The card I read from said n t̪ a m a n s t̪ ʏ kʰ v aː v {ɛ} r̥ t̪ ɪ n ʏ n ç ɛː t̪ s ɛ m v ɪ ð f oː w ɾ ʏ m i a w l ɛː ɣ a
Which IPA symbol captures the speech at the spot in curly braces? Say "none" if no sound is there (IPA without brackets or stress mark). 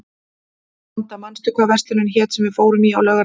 ɛ